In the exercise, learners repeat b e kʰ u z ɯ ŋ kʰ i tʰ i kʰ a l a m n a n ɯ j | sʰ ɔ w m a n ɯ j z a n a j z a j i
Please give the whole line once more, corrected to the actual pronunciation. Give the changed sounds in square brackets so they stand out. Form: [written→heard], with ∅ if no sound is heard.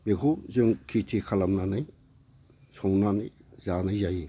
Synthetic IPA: b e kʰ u z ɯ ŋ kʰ i tʰ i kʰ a l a m n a n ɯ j | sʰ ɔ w [m→n] a n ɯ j z a n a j z a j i

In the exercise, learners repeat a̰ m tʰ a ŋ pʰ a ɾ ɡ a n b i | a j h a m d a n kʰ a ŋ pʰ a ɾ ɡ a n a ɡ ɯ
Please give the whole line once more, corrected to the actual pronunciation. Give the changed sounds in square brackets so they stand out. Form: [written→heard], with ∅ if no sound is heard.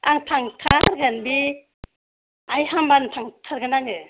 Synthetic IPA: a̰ [m→ŋ] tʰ a ŋ [pʰ→tʰ] a ɾ ɡ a n b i | a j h a m [d→b] a n [kʰ→tʰ] a ŋ [pʰ→tʰ] a ɾ ɡ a n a [ɡ→ŋ] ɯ

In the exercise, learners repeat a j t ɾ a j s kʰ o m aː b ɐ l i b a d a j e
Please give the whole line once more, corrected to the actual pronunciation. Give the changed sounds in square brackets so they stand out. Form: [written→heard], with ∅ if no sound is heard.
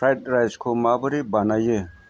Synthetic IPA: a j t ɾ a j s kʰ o m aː b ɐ [l→ɾ] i b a [d→n] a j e

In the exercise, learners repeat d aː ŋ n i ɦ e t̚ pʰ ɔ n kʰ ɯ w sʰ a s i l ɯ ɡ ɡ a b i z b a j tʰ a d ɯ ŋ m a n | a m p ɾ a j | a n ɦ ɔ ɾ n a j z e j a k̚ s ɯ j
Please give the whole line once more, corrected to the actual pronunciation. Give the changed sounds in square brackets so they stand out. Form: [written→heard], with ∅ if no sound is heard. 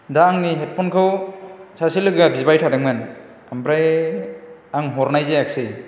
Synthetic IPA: d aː ŋ n i ɦ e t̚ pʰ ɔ n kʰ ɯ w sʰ a s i l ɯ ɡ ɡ a b i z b a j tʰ a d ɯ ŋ m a n | a m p ɾ a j | a [n→ŋ] ɦ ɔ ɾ n a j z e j a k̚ s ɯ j

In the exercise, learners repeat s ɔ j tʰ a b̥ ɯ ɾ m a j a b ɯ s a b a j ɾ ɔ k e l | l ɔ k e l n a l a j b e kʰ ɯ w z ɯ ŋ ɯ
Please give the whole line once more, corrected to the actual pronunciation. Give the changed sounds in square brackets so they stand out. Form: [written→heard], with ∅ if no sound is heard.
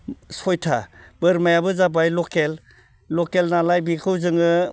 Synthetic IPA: s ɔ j tʰ a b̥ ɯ ɾ m a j a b ɯ [s→z] a b a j [ɾ→l] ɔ k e l | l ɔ k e l n a l a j b [e→i] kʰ ɯ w z ɯ ŋ ɯ

